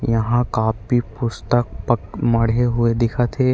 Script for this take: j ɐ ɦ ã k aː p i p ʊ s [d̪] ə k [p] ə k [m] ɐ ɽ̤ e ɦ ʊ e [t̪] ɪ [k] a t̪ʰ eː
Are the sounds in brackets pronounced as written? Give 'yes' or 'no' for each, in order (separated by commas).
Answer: no, yes, yes, no, no